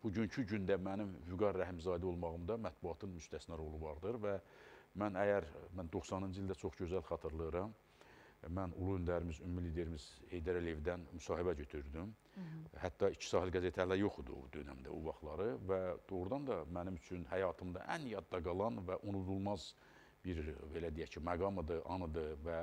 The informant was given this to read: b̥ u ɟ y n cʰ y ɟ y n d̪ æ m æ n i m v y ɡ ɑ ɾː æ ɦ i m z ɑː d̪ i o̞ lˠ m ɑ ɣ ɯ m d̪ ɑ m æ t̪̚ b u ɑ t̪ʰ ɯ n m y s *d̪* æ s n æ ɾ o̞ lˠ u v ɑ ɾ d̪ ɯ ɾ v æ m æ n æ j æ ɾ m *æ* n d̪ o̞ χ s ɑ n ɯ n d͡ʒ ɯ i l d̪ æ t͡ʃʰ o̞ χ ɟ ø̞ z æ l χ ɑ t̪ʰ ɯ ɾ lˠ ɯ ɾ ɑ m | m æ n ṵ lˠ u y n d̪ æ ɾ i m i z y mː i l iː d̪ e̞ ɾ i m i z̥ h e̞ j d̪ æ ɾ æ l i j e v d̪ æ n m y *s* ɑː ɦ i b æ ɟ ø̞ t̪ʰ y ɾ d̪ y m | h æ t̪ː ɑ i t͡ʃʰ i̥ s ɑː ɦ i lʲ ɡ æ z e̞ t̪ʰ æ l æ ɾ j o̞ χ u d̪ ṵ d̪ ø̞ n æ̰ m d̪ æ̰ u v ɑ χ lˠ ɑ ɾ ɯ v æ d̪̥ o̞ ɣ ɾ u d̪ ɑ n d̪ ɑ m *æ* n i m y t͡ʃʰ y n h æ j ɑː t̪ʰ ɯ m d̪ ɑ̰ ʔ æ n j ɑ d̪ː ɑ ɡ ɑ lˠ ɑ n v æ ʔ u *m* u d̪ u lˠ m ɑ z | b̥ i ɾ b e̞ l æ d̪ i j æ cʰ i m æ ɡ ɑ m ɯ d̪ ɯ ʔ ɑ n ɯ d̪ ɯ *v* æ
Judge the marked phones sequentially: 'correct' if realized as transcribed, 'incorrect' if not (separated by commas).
incorrect, correct, correct, correct, incorrect, correct